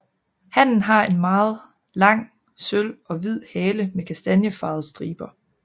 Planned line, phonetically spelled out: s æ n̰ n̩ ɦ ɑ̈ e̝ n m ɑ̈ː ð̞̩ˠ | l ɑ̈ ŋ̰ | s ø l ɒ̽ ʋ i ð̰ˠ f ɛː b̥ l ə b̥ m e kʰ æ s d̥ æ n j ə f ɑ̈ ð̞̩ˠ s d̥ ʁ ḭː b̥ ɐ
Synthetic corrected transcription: h æ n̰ n̩ ɦ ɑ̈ e̝ n m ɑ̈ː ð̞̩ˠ | l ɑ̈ ŋ̰ | s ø l ɒ̽ ʋ i ð̰ˠ h ɛː l ə m e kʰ æ s d̥ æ n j ə f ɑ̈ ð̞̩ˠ s d̥ ʁ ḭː b̥ ɐ